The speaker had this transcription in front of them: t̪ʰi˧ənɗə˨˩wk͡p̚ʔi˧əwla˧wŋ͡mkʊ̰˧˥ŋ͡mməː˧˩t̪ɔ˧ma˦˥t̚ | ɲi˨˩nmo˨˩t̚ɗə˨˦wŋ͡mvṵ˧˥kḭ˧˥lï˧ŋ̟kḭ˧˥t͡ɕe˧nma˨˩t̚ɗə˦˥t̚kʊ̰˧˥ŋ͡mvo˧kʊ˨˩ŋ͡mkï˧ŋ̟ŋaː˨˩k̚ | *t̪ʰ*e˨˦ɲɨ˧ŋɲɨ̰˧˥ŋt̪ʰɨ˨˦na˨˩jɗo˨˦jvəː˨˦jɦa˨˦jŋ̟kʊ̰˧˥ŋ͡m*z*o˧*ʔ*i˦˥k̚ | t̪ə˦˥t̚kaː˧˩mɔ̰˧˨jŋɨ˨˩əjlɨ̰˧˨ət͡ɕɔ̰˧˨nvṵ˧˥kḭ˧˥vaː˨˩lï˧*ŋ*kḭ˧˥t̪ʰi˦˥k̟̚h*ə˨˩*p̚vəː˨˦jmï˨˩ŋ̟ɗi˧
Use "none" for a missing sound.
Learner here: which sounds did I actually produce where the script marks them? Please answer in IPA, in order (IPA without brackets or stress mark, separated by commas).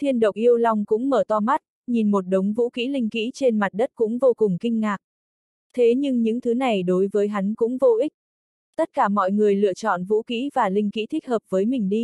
t̪ʰ, v, ʔ, ŋ, əː˨˩